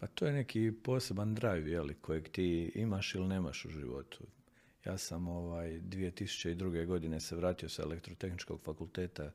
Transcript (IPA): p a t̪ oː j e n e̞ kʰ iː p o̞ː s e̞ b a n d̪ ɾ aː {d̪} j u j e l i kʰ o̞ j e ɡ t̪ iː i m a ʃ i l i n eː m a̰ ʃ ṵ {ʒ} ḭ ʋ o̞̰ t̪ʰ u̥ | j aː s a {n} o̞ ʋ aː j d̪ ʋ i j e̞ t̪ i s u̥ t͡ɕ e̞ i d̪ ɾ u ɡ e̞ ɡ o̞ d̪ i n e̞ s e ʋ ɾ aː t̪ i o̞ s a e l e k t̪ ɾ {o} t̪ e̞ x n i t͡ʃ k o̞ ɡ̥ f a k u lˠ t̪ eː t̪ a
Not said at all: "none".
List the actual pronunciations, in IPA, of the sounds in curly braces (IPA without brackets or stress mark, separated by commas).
none, ʒ, m, o